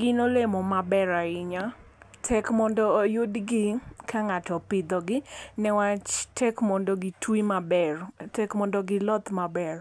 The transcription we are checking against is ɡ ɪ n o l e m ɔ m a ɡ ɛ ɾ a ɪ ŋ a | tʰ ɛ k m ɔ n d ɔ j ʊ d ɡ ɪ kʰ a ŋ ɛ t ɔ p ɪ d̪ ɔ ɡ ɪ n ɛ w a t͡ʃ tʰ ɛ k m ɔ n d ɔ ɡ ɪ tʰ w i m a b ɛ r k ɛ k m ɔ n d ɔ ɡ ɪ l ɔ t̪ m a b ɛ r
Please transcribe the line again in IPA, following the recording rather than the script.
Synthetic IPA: ɡ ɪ n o l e m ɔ m a b ɛ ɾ a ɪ ɲ a | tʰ ɛ k m ɔ n d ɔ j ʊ d ɡ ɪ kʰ a ŋ a t ɔ p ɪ d̪ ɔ ɡ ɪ n ɛ w a t͡ʃ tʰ ɛ k m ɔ n d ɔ ɡ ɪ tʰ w i m a b ɛ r t ɛ k m ɔ n d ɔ ɡ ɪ l ɔ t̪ m a b ɛ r